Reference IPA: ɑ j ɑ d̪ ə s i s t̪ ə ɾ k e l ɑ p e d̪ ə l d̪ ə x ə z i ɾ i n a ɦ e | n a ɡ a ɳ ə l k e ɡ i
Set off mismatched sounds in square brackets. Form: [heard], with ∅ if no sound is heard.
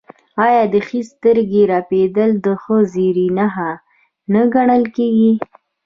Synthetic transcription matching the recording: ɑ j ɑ d̪ ə [x] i s t̪ ə ɾ [ɡ] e [ɾ] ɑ p e d̪ ə l d̪ ə x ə z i ɾ i n a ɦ [a] | n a ɡ a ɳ ə l k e ɡ i